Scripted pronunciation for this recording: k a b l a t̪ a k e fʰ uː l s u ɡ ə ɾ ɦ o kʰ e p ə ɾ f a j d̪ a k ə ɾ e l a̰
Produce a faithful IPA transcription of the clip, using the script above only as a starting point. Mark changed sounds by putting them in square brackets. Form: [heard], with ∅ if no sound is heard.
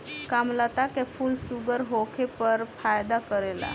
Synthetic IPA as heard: k a [m] l a t̪ a k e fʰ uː l s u ɡ ə ɾ ɦ o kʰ e p ə ɾ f a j d̪ a k ə ɾ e l a̰